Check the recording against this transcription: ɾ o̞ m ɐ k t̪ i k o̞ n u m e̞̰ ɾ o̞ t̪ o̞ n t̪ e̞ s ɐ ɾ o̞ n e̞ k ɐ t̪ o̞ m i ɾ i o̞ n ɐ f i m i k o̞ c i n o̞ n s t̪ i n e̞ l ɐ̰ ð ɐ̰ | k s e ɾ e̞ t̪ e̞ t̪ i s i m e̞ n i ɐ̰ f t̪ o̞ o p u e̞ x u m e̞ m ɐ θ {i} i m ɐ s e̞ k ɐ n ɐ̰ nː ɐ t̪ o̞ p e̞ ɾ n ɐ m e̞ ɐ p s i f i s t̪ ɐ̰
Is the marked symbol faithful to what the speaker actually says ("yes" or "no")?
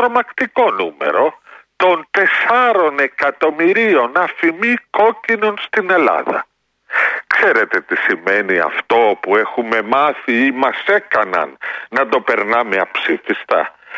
yes